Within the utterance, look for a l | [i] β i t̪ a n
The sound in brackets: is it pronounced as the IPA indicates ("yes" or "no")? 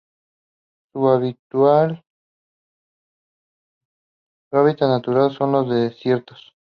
no